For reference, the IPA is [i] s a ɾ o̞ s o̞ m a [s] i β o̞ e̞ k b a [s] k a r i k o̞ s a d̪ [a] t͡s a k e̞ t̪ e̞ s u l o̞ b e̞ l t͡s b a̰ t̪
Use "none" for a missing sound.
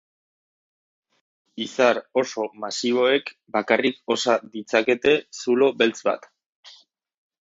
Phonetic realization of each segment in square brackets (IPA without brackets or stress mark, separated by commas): i, s, none, i